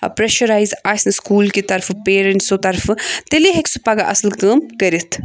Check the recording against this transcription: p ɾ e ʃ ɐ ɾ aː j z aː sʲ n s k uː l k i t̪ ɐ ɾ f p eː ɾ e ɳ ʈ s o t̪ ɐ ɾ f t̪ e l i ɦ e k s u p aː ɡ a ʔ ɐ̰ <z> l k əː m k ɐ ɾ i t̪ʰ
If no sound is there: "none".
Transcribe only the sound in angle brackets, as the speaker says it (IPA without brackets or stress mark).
s